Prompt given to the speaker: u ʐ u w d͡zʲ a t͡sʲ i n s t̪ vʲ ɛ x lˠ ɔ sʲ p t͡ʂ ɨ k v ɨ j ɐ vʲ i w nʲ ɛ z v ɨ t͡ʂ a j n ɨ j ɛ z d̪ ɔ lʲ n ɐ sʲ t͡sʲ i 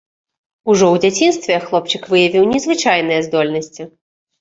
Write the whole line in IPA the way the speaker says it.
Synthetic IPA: u ʐ ɔ w d͡zʲ a t͡sʲ i n s t̪ vʲ ɛ x lˠ ɔ p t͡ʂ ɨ k v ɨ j ɐ vʲ i w nʲ ɛ z v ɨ t͡ʂ a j n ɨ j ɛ z d̪ ɔ lʲ n ɐ sʲ t͡sʲ i